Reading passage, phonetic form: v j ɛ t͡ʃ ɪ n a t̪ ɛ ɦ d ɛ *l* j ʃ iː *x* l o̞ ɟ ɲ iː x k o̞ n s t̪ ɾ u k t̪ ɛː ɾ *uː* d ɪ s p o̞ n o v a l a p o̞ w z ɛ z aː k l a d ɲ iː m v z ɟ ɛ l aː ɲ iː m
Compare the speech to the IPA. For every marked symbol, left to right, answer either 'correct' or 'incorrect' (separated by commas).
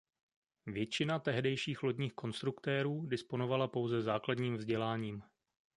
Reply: incorrect, correct, correct